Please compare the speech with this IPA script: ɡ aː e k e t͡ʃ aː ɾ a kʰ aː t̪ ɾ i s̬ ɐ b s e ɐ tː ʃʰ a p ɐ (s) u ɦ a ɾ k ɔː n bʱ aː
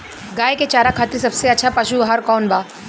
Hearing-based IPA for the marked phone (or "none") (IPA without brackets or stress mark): ʃ